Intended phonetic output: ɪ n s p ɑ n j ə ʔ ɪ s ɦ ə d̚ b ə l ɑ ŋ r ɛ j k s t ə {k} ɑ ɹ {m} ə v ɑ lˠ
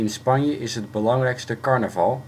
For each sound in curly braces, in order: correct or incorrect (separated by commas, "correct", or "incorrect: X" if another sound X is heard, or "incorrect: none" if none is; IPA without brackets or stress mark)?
correct, incorrect: n